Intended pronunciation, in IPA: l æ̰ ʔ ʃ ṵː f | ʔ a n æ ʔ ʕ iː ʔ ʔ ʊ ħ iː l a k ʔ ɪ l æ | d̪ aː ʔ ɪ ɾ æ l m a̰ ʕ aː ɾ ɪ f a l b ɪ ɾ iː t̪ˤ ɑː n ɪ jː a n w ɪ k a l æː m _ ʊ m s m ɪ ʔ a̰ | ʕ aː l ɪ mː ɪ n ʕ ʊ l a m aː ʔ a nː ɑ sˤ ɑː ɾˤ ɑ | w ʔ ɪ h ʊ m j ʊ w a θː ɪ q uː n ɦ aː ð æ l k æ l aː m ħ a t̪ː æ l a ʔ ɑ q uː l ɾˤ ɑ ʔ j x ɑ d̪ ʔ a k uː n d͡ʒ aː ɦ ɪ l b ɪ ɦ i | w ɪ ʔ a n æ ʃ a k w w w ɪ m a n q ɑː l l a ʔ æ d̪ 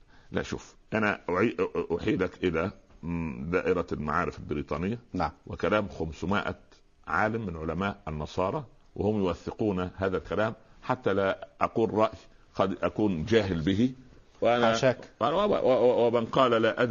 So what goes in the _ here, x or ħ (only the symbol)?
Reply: x